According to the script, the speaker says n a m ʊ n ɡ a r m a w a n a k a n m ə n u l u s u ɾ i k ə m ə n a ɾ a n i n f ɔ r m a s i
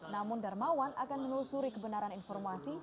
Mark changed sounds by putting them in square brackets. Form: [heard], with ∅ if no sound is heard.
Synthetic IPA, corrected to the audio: n a m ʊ n [d] a r m a w a n a k a n m ə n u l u s u ɾ i k ə [b] ə n a ɾ a n i n f ɔ r m a s i